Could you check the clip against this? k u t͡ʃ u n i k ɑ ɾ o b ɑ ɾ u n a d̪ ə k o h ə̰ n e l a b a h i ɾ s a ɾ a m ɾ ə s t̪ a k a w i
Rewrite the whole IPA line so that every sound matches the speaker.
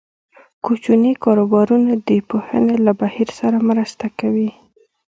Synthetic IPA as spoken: k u t͡ʃ u n i k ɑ ɾ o b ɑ ɾ u n a d̪ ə p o h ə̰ n e l a b a h i ɾ s a ɾ a m ɾ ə s t̪ a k a w i